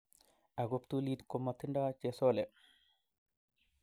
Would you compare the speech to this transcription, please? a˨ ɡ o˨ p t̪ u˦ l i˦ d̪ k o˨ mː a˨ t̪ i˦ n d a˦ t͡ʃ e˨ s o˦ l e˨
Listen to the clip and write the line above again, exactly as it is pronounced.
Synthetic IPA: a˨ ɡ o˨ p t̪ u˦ l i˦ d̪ k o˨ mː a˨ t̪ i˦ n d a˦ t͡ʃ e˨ s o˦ l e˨